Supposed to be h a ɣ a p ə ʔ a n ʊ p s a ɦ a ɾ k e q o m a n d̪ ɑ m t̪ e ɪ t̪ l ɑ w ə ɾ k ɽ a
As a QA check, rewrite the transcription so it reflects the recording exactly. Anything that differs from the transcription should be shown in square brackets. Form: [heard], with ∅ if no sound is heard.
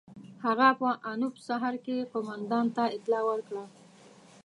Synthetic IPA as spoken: h a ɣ a p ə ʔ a n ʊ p s a ɦ a ɾ k e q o m a n d̪ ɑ [n] t̪ [a] ɪ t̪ l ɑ w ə ɾ k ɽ a